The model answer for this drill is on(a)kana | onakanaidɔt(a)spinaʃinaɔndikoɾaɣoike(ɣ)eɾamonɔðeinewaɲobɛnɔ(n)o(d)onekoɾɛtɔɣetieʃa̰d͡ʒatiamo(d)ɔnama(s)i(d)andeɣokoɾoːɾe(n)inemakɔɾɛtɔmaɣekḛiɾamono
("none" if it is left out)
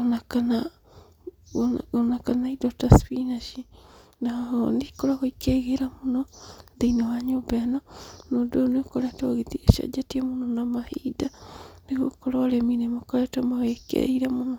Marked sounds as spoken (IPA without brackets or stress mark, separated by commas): a, a, ɣ, n, d, n, h, d, m